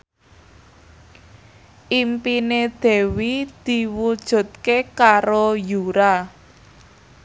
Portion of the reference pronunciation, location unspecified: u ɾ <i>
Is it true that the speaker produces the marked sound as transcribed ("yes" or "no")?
no